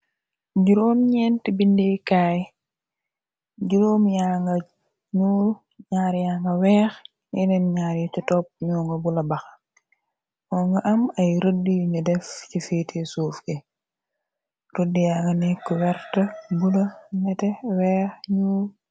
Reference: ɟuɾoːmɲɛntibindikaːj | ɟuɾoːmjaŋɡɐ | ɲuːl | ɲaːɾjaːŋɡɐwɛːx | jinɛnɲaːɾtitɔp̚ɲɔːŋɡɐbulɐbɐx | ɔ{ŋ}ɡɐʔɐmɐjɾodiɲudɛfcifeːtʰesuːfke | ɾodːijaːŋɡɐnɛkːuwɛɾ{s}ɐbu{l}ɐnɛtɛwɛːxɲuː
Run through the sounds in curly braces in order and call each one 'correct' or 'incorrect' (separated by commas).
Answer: correct, incorrect, correct